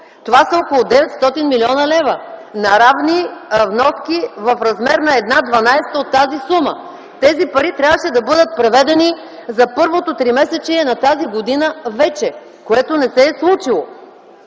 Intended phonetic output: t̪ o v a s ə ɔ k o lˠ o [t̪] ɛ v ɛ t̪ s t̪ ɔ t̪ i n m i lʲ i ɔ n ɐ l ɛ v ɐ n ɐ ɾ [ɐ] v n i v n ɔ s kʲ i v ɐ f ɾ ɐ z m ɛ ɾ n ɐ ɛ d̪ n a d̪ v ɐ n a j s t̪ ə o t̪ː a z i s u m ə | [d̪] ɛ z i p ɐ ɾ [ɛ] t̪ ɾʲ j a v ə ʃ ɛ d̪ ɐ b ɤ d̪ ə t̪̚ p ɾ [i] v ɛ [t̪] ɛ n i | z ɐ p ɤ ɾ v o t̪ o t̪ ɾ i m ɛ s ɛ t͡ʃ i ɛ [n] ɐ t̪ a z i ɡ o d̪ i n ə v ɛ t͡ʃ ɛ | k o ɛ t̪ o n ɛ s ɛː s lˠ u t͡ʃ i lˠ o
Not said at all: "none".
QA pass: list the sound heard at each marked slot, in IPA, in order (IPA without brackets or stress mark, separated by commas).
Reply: d̪, a, t̪, i, ɛ, d̪, n